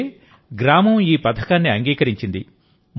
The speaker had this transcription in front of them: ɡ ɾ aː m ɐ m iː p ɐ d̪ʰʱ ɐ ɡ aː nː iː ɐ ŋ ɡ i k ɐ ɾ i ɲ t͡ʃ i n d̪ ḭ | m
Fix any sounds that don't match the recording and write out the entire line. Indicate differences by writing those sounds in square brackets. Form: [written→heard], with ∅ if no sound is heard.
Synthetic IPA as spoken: ɡ ɾ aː m ɐ m iː p ɐ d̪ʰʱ ɐ [ɡ→k] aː nː [iː→i] ɐ ŋ ɡ [i→iː] k ɐ ɾ i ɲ t͡ʃ i n d̪ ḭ | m

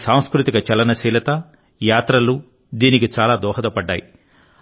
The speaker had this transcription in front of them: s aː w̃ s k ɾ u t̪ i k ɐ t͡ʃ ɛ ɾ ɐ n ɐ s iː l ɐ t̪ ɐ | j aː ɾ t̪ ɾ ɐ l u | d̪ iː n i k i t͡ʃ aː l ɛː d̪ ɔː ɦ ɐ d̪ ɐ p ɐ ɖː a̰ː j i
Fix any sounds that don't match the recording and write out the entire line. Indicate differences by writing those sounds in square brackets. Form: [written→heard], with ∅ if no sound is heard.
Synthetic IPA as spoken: s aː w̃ s k ɾ u t̪ i k ɐ t͡ʃ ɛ [ɾ→l] ɐ n ɐ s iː l ɐ t̪ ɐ | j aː [ɾ→∅] t̪ ɾ ɐ l u | d̪ iː n i k i t͡ʃ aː l [ɛː→aː] d̪ ɔː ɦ ɐ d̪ ɐ p ɐ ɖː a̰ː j i

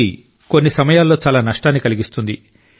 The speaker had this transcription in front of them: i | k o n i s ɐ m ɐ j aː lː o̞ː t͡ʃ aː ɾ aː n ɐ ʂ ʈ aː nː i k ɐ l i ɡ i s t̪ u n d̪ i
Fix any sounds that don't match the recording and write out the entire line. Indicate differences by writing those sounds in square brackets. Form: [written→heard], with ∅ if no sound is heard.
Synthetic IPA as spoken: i | k o [n→nː] i s ɐ m ɐ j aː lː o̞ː t͡ʃ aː [ɾ→l] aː n ɐ ʂ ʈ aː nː i k ɐ l i ɡ i s t̪ u n d̪ i

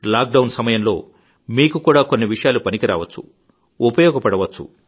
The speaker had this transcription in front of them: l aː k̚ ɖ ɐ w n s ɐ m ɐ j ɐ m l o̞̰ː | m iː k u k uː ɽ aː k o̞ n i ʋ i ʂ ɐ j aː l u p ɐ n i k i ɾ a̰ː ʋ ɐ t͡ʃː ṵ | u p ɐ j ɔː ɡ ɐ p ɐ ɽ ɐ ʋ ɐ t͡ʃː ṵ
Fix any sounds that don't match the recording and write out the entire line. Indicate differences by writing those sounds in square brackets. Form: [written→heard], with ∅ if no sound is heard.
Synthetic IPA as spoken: l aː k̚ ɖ ɐ w n s ɐ m ɐ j ɐ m l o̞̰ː | m iː k u k uː ɽ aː k o̞ [n→nː] i ʋ i ʂ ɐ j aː l u p ɐ n i k i ɾ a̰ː ʋ ɐ t͡ʃː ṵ | u p ɐ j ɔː ɡ ɐ p ɐ ɽ ɐ ʋ ɐ t͡ʃː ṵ

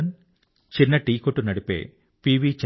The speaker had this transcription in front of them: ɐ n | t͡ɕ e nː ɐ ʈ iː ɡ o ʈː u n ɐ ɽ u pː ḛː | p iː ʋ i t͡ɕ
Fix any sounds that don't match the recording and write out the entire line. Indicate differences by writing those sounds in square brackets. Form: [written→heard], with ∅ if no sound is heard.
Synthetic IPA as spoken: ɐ n | t͡ɕ [e→i] nː ɐ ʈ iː [ɡ→k] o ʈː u n ɐ ɽ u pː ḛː | p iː ʋ i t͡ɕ

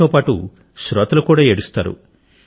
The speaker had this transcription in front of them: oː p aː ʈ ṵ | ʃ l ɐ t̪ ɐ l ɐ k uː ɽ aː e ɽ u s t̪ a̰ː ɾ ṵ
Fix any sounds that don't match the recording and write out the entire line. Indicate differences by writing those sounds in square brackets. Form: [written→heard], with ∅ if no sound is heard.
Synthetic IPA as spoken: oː p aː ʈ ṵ | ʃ [l→ɾ] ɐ t̪ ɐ l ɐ k uː ɽ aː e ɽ u s t̪ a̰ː ɾ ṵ

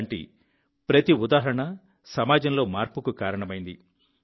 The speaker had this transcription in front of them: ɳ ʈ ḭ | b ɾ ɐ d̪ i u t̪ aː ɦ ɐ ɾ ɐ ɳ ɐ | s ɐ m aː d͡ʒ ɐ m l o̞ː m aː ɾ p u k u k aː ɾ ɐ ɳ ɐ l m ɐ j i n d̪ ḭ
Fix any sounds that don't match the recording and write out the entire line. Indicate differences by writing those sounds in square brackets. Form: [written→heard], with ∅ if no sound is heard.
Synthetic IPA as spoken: ɳ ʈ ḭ | [b→p] ɾ ɐ [d̪→t̪] i u [t̪→d̪] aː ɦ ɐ ɾ ɐ ɳ ɐ | s ɐ m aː d͡ʒ ɐ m l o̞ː m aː ɾ p u k u k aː ɾ ɐ ɳ ɐ [l→∅] m ɐ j i n d̪ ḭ

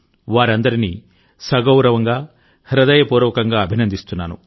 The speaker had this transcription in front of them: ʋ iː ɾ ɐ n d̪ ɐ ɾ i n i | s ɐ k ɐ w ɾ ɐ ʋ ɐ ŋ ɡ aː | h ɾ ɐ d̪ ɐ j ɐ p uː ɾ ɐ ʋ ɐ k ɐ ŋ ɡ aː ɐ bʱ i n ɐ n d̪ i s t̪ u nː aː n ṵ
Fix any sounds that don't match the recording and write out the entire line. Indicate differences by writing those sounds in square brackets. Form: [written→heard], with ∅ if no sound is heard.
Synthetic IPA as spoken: ʋ [iː→aː] ɾ ɐ n d̪ ɐ ɾ i n i | s ɐ [k→ɡ] ɐ w ɾ ɐ ʋ ɐ ŋ ɡ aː | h ɾ ɐ d̪ ɐ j ɐ p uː ɾ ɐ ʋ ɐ k ɐ ŋ ɡ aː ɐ bʱ i n ɐ n d̪ i s t̪ u nː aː n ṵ

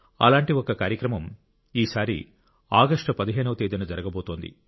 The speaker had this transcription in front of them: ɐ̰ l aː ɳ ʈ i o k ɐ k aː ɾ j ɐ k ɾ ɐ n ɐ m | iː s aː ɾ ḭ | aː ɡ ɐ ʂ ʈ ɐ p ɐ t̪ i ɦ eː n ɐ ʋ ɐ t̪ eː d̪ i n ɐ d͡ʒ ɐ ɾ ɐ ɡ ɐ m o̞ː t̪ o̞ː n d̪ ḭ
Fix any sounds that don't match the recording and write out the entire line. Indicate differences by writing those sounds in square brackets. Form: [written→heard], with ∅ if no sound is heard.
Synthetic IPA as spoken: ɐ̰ l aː ɳ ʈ i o k ɐ k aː ɾ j ɐ k ɾ ɐ [n→m] ɐ m | iː s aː ɾ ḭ | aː ɡ ɐ ʂ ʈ ɐ p ɐ [t̪→d̪] i ɦ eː n ɐ ʋ ɐ t̪ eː d̪ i n ɐ d͡ʒ ɐ ɾ ɐ ɡ ɐ [m→b] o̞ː t̪ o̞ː n d̪ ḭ

